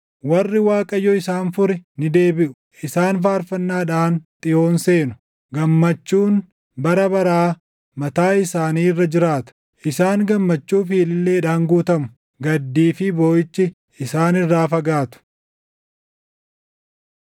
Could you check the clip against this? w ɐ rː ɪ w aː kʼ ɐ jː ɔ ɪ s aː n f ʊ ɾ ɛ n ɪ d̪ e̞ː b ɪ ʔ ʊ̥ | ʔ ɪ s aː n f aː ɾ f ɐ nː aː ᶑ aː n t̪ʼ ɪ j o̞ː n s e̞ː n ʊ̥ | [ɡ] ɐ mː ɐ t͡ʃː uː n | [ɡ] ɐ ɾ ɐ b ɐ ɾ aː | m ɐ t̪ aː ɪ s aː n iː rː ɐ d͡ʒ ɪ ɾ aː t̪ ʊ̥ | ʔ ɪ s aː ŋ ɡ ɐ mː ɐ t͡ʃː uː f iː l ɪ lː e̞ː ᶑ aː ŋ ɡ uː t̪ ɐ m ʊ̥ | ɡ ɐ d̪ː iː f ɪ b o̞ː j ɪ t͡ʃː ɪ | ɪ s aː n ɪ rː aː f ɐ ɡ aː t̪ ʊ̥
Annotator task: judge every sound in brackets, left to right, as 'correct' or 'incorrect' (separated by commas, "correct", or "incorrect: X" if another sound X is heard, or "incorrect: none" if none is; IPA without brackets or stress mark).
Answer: correct, incorrect: b